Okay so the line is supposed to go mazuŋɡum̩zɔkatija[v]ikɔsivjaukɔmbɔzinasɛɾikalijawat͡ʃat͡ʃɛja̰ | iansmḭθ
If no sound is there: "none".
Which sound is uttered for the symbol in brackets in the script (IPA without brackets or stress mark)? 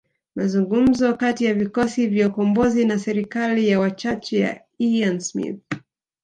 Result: v